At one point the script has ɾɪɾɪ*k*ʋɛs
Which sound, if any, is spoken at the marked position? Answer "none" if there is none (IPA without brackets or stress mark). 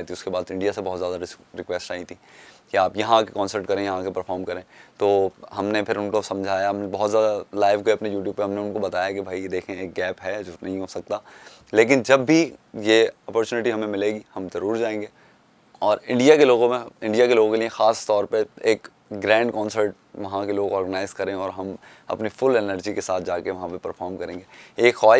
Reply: k